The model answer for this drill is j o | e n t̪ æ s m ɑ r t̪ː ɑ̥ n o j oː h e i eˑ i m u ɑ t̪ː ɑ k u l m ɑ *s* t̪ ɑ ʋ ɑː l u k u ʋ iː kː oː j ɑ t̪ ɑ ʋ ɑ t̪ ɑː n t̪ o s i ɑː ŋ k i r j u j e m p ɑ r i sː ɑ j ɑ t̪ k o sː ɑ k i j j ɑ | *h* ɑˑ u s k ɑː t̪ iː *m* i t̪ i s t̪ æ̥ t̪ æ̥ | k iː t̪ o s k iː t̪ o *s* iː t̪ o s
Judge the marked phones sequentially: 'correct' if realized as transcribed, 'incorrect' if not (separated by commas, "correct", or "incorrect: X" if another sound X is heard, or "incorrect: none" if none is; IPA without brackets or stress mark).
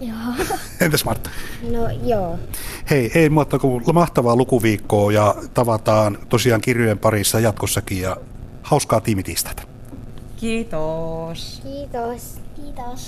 incorrect: h, correct, correct, correct